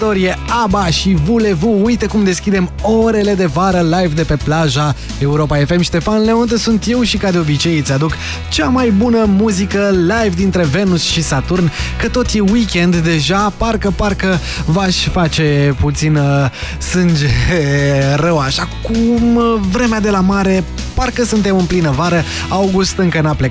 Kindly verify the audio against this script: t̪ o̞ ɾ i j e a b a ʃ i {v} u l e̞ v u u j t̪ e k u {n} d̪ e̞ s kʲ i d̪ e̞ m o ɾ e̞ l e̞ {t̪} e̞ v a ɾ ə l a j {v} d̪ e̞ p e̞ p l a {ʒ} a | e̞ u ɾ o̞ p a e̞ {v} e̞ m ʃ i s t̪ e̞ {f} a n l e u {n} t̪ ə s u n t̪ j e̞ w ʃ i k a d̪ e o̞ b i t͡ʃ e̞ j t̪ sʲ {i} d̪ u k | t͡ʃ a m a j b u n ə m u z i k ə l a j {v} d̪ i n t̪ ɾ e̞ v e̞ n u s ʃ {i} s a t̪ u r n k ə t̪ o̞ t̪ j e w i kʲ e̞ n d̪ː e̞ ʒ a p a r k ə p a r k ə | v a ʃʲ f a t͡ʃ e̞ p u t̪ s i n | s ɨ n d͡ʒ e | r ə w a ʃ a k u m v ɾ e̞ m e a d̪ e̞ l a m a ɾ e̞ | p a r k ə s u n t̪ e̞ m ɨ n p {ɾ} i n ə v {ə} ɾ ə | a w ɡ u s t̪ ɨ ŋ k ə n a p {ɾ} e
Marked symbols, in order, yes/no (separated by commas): yes, no, no, yes, yes, no, yes, yes, no, yes, yes, no, no, no